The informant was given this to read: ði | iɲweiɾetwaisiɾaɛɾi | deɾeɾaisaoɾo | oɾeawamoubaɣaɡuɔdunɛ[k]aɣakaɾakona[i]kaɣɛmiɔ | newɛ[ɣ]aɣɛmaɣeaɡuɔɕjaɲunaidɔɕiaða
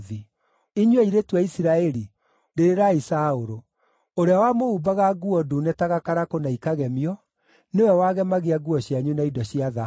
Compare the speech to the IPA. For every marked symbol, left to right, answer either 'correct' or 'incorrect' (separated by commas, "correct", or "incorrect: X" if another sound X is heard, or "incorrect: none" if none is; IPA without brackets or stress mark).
incorrect: t, correct, incorrect: w